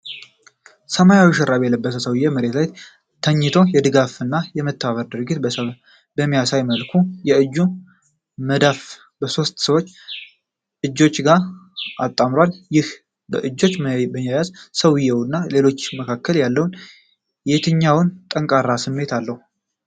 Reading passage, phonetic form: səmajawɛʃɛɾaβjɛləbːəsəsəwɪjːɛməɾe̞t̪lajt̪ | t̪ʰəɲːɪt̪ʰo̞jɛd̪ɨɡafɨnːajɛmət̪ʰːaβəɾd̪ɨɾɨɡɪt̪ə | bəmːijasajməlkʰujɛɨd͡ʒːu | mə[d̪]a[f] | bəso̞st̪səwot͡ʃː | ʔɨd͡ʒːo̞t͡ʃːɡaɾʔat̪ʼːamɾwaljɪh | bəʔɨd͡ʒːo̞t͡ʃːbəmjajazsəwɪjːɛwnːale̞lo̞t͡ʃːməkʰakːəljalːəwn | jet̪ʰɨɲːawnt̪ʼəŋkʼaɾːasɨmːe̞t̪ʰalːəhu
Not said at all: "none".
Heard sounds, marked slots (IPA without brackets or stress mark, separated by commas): d̪, f